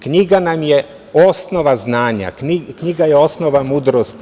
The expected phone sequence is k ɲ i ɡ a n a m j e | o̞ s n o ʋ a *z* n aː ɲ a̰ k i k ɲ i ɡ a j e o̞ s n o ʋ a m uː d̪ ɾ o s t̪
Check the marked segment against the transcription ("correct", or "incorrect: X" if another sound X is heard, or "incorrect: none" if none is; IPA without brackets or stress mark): correct